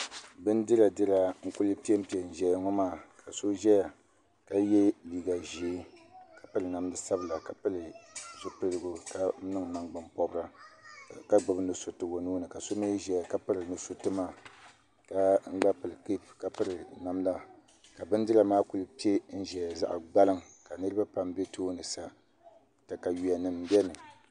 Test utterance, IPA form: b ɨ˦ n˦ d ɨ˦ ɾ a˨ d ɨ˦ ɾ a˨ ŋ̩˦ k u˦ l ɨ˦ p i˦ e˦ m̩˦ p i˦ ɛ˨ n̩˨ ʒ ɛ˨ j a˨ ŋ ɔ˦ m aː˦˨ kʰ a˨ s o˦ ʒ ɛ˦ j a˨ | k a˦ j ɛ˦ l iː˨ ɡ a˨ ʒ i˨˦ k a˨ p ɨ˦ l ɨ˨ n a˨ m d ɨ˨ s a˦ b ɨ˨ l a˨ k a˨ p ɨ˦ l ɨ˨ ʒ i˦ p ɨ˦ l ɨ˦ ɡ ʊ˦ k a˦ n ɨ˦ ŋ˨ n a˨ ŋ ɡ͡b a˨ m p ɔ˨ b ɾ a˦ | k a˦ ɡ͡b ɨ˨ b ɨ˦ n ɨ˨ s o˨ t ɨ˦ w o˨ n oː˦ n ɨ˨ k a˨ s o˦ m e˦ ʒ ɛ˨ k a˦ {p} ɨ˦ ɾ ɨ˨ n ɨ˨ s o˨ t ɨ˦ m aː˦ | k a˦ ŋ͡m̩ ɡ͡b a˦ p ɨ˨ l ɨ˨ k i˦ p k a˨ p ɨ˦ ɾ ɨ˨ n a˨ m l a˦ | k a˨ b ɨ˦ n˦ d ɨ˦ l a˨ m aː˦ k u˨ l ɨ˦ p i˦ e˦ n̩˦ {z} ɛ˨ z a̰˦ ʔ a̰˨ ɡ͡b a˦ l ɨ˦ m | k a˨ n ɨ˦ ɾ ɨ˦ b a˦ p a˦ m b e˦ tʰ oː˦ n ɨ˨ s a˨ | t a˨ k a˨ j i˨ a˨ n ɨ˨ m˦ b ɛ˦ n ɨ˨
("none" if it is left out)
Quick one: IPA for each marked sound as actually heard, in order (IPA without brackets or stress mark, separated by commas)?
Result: p, ʒ